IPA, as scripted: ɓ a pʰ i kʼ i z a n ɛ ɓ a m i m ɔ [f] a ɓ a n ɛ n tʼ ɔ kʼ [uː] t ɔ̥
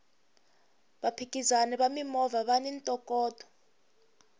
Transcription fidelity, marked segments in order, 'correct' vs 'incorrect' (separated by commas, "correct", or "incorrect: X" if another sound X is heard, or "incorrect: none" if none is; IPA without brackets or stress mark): incorrect: v, incorrect: ɔː